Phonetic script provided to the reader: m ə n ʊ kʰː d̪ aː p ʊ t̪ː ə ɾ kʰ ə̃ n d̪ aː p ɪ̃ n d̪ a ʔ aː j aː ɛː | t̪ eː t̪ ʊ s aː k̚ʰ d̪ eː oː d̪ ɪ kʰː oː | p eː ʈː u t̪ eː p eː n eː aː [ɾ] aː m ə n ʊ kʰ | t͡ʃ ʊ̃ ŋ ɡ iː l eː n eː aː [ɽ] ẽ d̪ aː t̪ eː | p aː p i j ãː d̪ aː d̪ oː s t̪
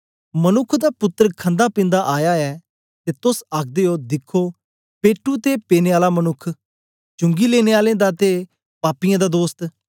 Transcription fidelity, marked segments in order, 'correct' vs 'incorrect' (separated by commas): incorrect, incorrect